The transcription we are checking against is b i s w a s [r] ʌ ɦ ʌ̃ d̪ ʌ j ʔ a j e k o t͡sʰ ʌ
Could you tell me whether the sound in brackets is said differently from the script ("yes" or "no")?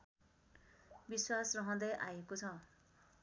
no